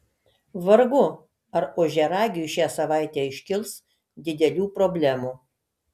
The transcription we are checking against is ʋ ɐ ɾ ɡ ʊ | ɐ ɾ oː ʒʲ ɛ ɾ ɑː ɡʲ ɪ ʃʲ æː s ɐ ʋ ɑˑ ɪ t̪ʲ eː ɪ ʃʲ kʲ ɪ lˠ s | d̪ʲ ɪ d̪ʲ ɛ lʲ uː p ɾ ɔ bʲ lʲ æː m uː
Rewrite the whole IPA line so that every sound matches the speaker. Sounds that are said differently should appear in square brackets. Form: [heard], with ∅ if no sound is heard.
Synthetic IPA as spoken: ʋ ɐ ɾ ɡ ʊ | ɐ ɾ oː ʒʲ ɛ ɾ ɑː ɡʲ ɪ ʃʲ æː s ɐ ʋ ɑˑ ɪ t̪ʲ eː ɪ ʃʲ kʲ ɪ lˠ s | d̪ʲ ɪ d̪ʲ ɛ lʲ uː p ɾ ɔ bʲ lʲ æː m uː